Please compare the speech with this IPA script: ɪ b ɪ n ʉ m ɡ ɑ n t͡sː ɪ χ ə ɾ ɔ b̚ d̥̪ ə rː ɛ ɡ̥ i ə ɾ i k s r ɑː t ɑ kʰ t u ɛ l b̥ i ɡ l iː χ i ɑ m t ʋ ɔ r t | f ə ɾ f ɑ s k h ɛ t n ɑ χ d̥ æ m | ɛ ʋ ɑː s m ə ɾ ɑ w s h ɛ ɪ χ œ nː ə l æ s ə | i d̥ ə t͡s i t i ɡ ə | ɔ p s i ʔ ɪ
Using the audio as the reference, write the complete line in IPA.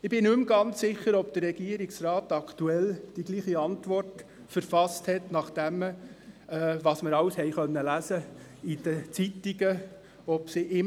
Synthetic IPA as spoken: ɪ b ɪ n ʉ m ɡ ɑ n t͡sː ɪ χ ə ɾ ɔ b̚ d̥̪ ə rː ɛ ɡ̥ i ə ɾ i k s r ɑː t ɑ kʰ t u ɛ l d̥ i ɡ l iː χ i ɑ n t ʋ ɔ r t | f ə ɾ f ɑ s t h ɛ t n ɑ χ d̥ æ m | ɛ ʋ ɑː s m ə ɾ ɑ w s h ɛ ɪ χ œ nː ə l æ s ə | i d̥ ə t͡s i t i ɡ ə | ɔ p s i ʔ ɪ